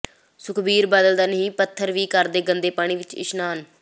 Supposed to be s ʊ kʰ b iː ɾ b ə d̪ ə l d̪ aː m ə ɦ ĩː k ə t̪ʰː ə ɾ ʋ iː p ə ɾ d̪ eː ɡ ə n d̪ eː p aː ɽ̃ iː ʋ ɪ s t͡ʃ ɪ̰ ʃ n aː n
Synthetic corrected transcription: s ʊ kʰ b iː ɾ b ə d̪ ə l d̪ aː n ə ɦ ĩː p ə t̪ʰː ə ɾ ʋ iː k ə ɾ d̪ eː ɡ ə n d̪ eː p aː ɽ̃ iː ʋ ɪ t͡ʃ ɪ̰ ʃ n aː n